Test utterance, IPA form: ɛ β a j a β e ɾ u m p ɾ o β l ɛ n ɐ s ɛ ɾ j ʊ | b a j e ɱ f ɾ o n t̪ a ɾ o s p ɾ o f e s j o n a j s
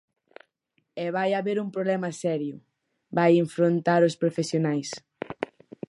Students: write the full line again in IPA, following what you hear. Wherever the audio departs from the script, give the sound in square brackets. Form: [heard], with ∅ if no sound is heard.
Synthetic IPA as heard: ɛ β a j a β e ɾ u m p ɾ o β l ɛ [m] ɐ s ɛ ɾ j ʊ | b a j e ɱ f ɾ o n t̪ a ɾ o s p ɾ o f e s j o n a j s